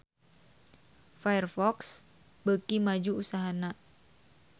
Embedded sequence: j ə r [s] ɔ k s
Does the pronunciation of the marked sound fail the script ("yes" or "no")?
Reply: yes